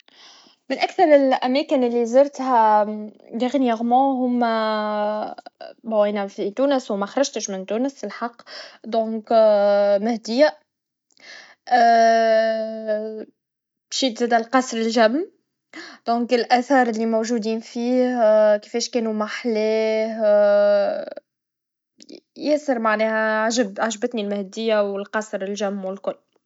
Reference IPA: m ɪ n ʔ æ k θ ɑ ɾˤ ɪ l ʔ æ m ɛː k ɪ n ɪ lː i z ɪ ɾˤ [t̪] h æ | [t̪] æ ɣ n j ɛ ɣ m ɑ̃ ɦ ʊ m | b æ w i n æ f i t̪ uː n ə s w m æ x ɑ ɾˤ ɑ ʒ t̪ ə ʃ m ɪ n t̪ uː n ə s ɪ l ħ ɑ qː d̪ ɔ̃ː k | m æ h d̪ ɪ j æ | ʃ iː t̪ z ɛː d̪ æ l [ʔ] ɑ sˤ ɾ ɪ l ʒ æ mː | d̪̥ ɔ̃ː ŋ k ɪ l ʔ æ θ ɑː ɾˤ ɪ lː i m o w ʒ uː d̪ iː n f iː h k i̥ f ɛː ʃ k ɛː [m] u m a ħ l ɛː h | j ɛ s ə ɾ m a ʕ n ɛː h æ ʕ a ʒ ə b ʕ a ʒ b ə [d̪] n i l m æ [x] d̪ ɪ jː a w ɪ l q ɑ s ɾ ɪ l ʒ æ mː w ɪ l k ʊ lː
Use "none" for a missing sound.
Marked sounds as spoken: t̪, d̪, q, n, t̪, h

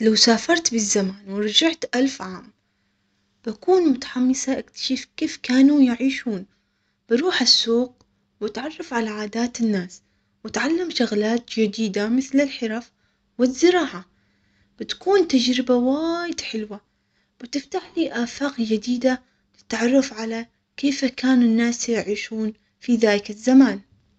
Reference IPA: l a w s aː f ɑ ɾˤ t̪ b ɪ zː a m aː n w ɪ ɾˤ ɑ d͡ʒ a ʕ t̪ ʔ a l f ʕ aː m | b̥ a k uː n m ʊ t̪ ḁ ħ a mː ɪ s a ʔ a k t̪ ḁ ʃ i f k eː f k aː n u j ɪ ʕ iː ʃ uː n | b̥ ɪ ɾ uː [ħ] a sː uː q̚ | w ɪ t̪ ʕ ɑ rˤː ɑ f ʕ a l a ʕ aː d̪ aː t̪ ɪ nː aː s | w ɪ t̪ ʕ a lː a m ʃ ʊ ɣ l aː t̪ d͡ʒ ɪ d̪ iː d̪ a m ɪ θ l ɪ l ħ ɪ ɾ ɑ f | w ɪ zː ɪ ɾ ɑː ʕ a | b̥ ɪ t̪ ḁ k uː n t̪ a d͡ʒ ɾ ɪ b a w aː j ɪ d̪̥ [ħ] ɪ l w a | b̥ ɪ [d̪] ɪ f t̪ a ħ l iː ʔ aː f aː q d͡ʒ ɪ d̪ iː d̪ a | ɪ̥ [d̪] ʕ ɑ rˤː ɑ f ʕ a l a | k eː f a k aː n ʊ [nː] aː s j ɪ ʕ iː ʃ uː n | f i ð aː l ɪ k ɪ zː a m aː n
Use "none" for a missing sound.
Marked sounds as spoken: ħ, ħ, t̪, t̪, nː

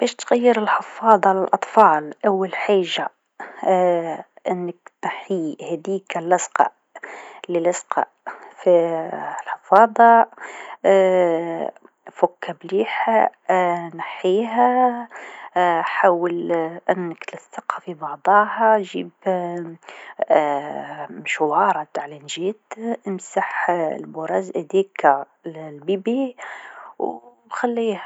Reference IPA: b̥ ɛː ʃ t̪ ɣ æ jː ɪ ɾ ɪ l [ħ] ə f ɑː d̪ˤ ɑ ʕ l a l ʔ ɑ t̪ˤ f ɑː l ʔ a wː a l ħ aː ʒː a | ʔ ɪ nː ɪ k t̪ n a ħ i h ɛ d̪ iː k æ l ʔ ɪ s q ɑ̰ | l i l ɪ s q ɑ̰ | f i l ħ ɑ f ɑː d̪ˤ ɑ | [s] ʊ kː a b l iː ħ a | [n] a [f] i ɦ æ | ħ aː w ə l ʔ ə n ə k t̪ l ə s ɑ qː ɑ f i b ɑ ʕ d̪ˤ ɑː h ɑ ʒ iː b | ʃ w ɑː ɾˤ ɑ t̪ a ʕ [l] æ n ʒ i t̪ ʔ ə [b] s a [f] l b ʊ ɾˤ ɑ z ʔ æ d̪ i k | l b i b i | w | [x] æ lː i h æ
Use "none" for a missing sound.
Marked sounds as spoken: ħ, f, n, ħ, l, m, ħ, x

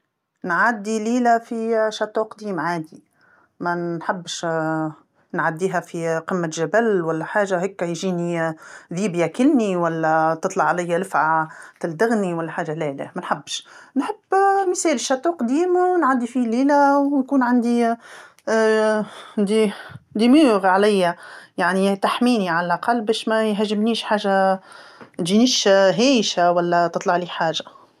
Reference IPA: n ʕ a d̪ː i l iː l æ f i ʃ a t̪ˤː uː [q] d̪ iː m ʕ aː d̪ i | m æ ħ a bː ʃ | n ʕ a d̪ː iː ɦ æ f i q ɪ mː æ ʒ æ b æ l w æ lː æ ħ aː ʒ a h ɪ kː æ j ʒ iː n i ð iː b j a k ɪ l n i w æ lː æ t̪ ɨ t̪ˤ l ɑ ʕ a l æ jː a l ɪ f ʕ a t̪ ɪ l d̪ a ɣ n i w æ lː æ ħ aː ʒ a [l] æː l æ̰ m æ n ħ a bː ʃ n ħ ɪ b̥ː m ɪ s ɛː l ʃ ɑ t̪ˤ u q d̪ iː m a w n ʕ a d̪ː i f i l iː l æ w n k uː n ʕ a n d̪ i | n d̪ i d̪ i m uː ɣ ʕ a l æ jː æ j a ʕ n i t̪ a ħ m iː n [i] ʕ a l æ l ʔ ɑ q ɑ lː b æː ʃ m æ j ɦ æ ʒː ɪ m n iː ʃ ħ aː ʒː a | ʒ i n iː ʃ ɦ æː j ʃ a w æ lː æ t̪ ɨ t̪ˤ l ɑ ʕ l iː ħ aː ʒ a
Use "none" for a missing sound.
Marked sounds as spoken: q, l, i

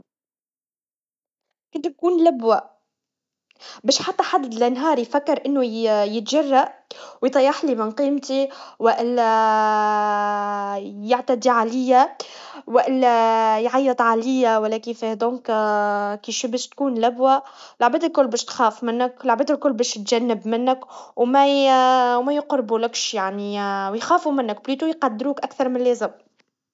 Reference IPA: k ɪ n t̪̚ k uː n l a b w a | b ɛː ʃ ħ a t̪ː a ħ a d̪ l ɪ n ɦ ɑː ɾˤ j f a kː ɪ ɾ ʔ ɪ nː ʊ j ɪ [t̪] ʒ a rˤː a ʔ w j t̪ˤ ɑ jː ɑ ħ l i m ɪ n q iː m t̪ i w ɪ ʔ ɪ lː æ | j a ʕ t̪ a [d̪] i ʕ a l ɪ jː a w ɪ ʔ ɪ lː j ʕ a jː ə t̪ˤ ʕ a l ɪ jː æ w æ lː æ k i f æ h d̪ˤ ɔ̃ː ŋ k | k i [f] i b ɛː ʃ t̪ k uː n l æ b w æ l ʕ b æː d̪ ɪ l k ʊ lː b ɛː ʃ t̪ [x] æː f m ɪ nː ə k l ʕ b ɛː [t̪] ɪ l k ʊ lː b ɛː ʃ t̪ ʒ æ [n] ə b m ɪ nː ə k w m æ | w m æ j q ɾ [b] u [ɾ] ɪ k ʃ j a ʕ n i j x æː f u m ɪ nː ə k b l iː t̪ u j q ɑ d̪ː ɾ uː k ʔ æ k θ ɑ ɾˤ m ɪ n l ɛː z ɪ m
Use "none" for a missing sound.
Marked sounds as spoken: t̪, d̪, ʃ, x, d̪, nː, b, l

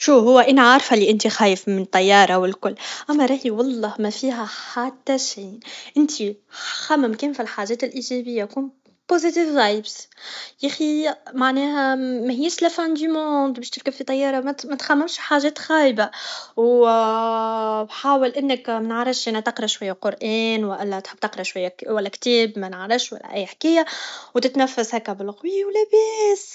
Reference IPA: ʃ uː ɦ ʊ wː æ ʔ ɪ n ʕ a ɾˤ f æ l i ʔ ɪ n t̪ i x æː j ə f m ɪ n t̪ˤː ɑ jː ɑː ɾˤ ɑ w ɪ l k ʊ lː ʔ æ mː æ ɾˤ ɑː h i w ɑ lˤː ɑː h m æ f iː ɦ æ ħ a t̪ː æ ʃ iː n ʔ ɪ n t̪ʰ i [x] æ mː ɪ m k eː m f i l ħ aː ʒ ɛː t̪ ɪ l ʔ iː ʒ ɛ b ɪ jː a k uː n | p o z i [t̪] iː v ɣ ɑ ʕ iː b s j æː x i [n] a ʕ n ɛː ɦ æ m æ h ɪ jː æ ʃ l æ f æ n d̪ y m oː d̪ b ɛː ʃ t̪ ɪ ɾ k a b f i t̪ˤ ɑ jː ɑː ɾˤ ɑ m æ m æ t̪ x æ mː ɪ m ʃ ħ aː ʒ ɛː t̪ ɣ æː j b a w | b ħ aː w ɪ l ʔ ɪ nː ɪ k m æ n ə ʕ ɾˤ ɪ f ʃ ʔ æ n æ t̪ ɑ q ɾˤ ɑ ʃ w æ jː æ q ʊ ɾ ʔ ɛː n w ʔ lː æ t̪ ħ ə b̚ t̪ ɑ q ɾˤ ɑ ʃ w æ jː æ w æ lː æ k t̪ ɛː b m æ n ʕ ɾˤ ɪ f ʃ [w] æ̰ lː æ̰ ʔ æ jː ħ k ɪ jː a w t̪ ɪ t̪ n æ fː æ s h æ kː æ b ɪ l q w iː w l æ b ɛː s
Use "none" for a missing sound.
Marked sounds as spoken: x, t̪, m, w

